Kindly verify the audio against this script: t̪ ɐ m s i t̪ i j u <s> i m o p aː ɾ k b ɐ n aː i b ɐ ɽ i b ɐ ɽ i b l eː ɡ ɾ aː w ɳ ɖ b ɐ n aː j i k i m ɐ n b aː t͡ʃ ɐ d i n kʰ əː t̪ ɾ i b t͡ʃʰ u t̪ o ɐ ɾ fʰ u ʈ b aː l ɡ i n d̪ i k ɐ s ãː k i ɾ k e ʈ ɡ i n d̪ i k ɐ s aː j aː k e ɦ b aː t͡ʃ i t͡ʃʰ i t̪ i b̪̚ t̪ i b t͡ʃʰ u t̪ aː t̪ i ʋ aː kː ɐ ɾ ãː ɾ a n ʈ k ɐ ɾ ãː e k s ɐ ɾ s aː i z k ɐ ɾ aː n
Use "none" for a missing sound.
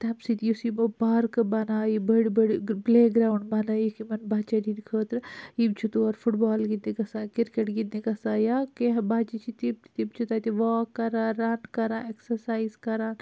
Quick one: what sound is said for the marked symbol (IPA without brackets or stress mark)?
s